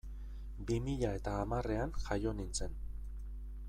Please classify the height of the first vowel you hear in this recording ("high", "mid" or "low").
high